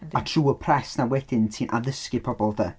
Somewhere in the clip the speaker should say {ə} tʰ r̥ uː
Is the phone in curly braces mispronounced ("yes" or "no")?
yes